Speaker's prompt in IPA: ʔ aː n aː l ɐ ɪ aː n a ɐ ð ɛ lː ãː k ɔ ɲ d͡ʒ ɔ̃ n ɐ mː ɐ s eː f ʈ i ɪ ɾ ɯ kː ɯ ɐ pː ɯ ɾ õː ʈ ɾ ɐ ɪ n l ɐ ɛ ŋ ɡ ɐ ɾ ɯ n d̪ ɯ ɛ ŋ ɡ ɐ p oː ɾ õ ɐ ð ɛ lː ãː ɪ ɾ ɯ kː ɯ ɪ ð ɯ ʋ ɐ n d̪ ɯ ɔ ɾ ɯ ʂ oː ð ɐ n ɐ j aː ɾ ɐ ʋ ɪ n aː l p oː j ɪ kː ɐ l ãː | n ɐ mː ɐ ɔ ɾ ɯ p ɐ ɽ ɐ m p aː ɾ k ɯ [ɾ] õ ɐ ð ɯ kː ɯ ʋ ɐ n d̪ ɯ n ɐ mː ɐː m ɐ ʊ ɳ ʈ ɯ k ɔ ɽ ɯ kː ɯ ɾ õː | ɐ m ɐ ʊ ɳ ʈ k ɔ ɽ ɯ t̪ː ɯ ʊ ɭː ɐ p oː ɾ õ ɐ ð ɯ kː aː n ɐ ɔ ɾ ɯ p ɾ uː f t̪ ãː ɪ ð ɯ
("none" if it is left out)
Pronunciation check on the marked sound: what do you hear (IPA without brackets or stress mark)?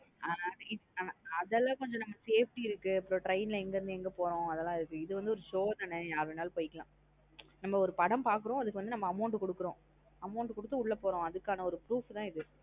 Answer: ɾ